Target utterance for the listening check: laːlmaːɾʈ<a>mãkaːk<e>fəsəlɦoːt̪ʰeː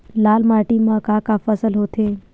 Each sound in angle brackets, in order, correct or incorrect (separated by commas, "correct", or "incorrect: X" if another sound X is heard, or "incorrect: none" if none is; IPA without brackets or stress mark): incorrect: i, incorrect: a